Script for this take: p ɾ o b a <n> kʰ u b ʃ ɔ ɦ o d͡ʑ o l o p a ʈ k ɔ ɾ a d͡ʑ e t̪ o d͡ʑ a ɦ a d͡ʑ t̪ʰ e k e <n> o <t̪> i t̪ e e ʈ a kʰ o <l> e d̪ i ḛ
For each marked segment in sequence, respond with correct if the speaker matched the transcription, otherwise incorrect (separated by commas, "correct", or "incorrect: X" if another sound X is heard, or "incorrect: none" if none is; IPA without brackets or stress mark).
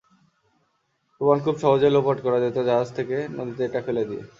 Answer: correct, correct, incorrect: d̪, correct